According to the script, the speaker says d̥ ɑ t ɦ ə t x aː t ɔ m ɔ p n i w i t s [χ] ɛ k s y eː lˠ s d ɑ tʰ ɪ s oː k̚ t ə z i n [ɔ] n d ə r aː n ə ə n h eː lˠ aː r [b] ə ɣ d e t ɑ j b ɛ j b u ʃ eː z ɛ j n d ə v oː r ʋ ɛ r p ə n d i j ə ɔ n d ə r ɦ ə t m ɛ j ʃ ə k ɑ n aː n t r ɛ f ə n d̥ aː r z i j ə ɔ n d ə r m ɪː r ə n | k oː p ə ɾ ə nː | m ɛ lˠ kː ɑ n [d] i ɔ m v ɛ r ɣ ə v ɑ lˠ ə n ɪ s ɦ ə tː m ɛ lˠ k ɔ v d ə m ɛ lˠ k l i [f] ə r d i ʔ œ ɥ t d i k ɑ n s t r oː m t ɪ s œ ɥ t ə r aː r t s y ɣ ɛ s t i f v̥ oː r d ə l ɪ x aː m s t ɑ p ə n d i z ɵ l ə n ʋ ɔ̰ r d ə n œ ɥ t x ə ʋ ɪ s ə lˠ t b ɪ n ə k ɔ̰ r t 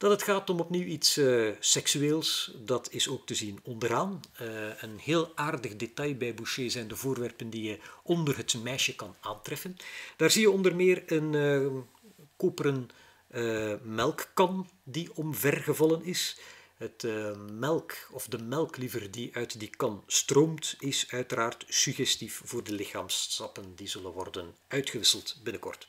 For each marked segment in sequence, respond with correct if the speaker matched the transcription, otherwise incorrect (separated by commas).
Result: incorrect, correct, incorrect, correct, incorrect